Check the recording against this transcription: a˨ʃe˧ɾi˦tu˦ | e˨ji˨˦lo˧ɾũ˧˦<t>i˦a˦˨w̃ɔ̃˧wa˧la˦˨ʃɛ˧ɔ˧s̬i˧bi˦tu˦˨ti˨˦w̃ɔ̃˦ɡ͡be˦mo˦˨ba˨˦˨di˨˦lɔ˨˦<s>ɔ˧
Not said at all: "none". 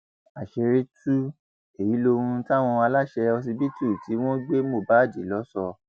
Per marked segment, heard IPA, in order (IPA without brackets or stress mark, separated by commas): t, s